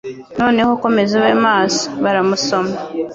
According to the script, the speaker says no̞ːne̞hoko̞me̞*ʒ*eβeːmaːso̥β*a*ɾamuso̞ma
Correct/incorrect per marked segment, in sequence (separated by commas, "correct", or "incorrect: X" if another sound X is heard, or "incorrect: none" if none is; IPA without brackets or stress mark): incorrect: z, correct